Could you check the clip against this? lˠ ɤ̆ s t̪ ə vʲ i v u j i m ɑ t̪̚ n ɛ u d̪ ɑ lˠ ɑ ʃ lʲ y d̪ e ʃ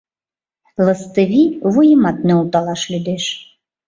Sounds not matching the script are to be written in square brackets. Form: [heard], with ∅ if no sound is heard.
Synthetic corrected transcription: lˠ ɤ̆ s t̪ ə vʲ i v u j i m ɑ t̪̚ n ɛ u [t̪] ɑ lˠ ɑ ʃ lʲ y d̪ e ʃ

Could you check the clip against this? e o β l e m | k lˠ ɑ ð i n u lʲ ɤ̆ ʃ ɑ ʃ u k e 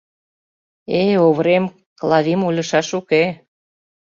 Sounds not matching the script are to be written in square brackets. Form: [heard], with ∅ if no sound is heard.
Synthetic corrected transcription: e o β [ɾ] e m | k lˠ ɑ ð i [m] u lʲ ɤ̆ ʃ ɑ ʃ u k e

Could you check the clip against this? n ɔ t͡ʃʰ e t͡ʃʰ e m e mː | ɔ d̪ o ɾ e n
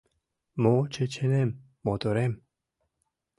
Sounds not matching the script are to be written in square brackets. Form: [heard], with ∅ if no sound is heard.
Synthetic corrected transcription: [m] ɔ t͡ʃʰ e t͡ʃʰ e [n] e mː | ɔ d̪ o ɾ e [m]

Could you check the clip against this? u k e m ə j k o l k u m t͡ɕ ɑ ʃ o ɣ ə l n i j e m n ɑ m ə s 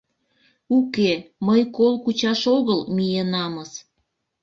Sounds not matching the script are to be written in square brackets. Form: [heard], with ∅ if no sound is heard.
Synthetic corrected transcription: u k e m ə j k o l k u [∅] t͡ɕ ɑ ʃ o ɣ ə l [m] i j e [∅] n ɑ m ə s

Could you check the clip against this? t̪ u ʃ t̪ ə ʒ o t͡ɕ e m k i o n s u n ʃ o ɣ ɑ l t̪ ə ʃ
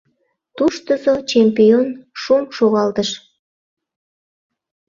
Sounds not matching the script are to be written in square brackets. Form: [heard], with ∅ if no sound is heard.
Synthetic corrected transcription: t̪ u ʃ t̪ ə [z] o t͡ɕ e m [p] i o n [ʃ] u [m] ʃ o ɣ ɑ l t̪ ə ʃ

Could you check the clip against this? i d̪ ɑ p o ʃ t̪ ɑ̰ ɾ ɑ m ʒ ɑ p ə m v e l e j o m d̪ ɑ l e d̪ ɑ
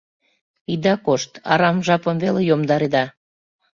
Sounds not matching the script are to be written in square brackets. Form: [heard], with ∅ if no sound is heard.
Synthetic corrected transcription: i d̪ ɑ [k] o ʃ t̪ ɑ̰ ɾ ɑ m ʒ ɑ p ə m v e l e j o m d̪ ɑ [ɾ] e d̪ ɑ

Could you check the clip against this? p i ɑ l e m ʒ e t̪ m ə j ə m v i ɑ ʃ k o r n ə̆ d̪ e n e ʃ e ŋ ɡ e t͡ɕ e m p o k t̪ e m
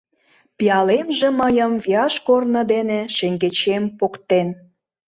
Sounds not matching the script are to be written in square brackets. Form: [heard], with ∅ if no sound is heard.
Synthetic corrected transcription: p i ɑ l e m ʒ e [∅] m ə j ə m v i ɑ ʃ k o r n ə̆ d̪ e n e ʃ e ŋ ɡ e t͡ɕ e m p o k t̪ e [n]

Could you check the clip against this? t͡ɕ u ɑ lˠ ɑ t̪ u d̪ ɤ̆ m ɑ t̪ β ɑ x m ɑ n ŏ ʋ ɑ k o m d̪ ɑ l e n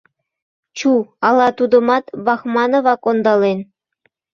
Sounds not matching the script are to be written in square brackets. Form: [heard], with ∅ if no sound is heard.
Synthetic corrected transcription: t͡ɕ u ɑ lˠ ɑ t̪ u d̪ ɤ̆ m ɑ t̪ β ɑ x m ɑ n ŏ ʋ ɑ k o [n] d̪ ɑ l e n

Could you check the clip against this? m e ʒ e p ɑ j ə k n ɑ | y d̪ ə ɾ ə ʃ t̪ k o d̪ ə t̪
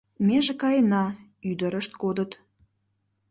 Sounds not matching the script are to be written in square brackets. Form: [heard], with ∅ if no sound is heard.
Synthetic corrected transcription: m e ʒ e [k] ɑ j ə [∅] n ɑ | y d̪ ə ɾ ə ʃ t̪ k o d̪ ə t̪

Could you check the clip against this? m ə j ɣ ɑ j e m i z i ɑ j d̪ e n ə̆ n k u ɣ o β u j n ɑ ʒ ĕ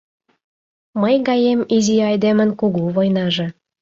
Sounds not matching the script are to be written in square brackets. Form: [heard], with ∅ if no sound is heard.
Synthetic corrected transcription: m ə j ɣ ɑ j e m i z i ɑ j d̪ e [m] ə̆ n k u ɣ [u] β [o] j n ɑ ʒ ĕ

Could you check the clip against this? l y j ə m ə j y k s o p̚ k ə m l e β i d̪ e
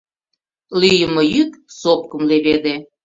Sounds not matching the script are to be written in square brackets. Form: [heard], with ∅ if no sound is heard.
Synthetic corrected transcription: l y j ə m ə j y k s o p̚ k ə m l e β [e] d̪ e

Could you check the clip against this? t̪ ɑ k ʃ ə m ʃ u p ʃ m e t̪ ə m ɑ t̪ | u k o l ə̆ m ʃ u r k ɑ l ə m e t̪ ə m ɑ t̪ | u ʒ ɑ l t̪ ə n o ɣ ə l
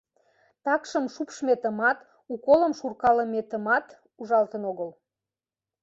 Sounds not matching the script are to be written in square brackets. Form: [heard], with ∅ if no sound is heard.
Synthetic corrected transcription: t̪ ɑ k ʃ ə m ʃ u p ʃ m e t̪ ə m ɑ t̪ | u k o l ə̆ m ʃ u r k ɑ l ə m e t̪ ə m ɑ t̪ | u ʒ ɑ l t̪ ə n o ɣ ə l

